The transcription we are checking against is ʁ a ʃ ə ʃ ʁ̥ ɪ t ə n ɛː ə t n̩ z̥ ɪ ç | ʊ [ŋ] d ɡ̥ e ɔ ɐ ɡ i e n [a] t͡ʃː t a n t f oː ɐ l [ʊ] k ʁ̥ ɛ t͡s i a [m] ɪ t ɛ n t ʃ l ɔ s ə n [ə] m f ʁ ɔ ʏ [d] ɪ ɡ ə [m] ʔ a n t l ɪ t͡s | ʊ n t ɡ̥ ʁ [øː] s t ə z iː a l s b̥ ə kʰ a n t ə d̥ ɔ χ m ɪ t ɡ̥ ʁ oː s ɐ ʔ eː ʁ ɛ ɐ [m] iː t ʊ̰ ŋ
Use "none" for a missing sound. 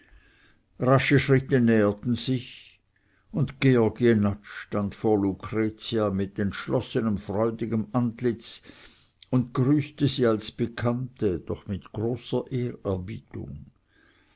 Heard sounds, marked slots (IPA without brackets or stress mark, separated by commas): n, a, u, m, ə, d, m, yː, b